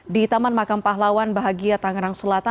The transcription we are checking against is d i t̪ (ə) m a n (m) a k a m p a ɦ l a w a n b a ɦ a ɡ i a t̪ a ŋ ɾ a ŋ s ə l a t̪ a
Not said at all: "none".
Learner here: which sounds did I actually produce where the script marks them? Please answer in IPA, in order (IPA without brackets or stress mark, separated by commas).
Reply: a, m